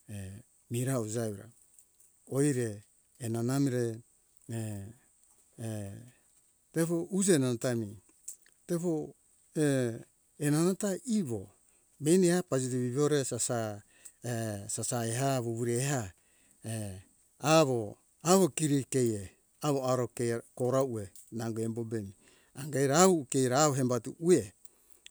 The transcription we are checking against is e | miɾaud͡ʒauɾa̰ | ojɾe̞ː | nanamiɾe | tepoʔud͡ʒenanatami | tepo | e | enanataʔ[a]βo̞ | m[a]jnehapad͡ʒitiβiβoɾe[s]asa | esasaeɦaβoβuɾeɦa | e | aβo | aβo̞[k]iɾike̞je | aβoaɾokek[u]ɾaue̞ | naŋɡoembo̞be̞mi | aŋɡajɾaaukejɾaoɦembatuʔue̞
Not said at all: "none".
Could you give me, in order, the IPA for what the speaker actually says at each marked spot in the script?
i, e, s, k, o

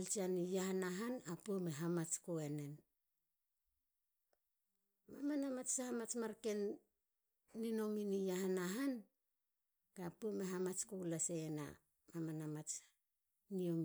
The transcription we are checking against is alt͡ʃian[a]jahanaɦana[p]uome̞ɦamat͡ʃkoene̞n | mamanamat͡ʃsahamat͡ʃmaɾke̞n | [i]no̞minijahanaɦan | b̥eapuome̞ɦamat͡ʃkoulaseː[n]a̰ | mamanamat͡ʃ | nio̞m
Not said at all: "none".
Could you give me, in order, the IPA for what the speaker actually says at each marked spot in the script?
i, p, i, n

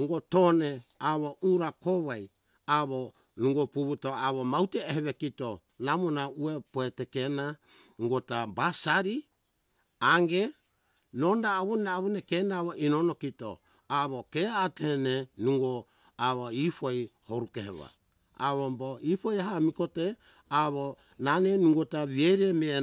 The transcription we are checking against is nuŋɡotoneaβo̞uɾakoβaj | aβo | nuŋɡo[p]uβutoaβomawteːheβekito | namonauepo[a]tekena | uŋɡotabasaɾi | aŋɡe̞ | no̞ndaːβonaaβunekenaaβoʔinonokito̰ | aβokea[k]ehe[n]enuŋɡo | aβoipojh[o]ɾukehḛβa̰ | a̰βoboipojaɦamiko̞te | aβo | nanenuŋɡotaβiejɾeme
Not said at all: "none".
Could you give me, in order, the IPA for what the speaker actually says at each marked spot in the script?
p, e, t, n, o

